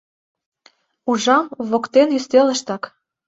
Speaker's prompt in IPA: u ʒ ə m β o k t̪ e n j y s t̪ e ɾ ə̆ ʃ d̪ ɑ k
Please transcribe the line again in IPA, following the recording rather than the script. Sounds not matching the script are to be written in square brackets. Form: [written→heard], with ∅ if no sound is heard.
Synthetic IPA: u ʒ [ə→ɑ] m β o k t̪ e n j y s t̪ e [ɾ→l] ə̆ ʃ [d̪→t̪] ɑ k

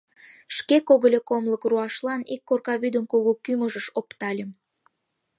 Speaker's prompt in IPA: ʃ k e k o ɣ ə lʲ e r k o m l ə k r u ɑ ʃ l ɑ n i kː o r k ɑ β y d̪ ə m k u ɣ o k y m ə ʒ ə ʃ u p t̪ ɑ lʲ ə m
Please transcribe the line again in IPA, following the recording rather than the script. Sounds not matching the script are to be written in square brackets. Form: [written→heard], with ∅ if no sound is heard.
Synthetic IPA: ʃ k e k o ɣ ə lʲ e [r→∅] k o m l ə k r u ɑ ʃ l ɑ n i kː o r k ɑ β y d̪ ə m k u ɣ o k y m ə ʒ ə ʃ [u→o] p t̪ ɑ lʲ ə m

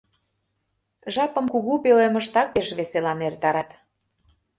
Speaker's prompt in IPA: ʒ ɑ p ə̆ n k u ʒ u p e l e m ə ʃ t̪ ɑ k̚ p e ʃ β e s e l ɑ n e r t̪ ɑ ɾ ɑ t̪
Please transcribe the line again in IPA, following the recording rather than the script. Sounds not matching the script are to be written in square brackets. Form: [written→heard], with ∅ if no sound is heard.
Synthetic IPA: ʒ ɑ p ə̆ [n→m] k u [ʒ→ɣ] u p e l e m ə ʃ t̪ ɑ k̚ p e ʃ β e s e l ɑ n e r t̪ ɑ ɾ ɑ t̪

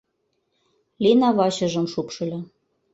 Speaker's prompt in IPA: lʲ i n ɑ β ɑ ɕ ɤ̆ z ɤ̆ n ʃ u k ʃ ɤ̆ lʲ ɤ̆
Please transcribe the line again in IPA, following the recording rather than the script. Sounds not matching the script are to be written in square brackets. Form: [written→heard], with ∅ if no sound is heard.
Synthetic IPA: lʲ i n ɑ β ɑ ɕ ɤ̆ [z→ʒ] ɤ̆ [n→m] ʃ u [k→p] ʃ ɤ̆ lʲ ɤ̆

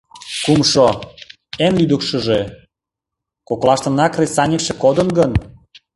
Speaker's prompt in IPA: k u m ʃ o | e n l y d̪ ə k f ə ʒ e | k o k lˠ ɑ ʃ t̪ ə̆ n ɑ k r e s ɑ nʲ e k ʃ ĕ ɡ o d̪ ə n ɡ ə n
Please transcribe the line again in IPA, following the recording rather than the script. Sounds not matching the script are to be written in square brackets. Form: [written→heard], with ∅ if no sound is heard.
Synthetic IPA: k u m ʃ o | e n l y d̪ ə k [f→ʃ] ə ʒ e | k o k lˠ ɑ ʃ t̪ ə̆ n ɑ k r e s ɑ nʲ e k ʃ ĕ [ɡ→k] o d̪ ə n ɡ ə n

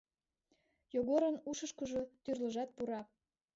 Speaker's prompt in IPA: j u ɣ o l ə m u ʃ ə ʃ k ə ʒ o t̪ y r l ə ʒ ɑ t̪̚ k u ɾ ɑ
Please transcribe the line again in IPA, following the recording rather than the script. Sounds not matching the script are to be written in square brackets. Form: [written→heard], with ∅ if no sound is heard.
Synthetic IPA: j [u→o] ɣ o [l→ɾ] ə [m→n] u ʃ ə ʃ k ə ʒ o t̪ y r l ə ʒ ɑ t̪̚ [k→p] u ɾ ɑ

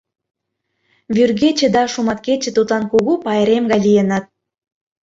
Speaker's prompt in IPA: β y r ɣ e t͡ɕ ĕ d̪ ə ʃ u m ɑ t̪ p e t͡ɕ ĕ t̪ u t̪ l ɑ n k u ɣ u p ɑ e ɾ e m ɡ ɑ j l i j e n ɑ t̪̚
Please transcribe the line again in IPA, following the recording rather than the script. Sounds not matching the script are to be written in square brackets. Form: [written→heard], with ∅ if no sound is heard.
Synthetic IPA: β y r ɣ e t͡ɕ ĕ d̪ [ə→ɑ] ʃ u m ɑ t̪ [p→k] e t͡ɕ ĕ t̪ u t̪ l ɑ n k u ɣ u p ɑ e ɾ e m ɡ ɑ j l i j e n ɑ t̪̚

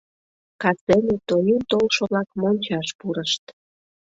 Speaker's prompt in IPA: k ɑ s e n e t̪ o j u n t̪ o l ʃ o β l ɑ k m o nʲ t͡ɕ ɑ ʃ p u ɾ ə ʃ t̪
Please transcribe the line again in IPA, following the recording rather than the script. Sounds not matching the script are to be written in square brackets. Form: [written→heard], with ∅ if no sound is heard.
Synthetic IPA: k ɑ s e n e t̪ o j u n t̪ o l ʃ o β l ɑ k m o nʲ t͡ɕ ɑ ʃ p u ɾ ə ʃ t̪

